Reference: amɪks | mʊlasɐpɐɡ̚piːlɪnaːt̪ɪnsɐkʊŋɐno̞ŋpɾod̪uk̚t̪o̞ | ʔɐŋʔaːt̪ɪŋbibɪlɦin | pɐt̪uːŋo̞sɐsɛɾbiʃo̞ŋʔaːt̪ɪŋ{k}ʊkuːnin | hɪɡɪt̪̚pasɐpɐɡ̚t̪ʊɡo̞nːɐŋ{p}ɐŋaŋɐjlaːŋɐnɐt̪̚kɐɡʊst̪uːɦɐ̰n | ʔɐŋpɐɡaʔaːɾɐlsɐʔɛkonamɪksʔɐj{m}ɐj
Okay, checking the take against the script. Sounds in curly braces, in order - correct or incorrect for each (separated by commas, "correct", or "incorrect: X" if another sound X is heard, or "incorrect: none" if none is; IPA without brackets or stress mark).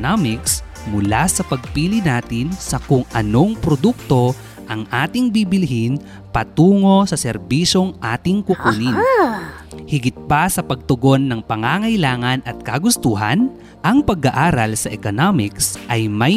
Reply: correct, correct, correct